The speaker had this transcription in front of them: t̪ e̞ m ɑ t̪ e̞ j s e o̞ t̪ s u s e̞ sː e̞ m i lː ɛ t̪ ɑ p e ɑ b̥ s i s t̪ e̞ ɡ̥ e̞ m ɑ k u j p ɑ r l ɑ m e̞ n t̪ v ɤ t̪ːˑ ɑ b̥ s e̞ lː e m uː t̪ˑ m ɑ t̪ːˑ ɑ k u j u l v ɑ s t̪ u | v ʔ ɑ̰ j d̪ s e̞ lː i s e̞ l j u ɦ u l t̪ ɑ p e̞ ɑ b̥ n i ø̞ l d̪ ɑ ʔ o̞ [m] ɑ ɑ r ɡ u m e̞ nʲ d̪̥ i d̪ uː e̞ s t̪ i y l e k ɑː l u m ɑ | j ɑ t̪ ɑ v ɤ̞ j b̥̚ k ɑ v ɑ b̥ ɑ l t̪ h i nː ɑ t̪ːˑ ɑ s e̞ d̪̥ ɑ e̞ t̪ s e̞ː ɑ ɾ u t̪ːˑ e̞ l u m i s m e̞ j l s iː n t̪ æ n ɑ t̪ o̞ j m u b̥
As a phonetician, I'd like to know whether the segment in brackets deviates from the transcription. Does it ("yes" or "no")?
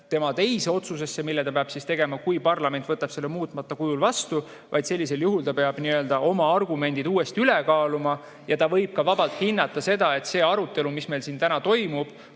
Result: no